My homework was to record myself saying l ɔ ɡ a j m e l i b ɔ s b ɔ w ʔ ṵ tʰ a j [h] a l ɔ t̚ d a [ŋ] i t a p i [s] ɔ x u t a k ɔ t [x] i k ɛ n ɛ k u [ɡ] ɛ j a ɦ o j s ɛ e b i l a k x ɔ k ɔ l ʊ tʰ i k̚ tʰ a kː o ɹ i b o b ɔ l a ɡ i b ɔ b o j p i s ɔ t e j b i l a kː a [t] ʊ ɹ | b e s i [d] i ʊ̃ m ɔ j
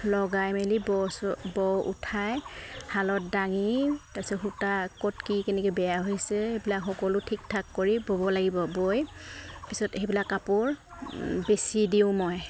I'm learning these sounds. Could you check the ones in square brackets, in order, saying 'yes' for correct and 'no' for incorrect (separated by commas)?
yes, yes, yes, no, no, no, yes